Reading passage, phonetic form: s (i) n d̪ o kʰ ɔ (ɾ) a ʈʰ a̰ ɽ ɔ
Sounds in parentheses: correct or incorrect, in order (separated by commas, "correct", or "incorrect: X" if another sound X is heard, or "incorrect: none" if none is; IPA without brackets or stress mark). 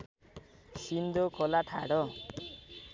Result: correct, incorrect: l